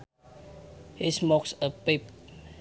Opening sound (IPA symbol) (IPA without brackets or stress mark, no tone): h